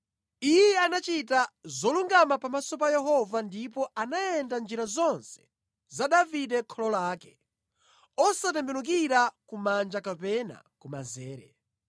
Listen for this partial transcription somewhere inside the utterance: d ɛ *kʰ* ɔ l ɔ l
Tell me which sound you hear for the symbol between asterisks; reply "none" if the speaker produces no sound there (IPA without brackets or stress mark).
kʰ